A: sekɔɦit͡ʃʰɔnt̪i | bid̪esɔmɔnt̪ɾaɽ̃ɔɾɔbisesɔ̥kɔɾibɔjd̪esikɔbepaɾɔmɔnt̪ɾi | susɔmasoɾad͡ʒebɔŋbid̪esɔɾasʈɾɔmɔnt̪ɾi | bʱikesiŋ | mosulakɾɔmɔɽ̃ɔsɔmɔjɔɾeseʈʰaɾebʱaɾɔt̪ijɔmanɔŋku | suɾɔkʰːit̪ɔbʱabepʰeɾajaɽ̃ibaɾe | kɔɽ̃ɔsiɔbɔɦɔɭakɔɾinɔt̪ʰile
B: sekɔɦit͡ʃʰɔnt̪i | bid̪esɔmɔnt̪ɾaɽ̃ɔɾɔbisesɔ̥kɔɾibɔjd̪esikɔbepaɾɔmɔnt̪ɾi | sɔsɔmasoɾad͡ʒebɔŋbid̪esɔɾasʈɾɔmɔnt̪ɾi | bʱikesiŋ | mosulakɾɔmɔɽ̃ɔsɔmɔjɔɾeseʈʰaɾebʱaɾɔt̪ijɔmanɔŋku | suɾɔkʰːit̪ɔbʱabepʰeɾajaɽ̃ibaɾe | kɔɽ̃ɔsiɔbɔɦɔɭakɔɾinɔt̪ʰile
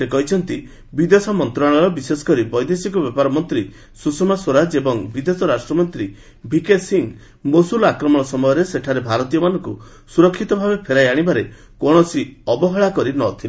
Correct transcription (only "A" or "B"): A